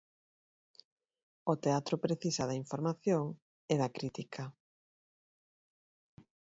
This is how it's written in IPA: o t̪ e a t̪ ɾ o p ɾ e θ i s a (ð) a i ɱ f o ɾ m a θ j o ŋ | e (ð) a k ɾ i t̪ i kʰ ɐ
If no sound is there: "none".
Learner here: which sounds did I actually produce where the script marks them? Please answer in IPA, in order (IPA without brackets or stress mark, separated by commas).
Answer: ð, ð